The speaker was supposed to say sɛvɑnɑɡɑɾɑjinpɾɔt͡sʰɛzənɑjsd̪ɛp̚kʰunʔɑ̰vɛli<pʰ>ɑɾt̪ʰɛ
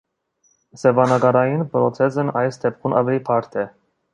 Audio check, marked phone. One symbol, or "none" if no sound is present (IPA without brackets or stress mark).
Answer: pʰ